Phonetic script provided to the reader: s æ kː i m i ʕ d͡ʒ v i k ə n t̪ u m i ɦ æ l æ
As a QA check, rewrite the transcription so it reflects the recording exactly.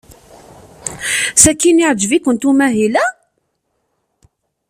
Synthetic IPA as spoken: s æ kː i n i ʕ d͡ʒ v i k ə n t̪ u m æ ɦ i l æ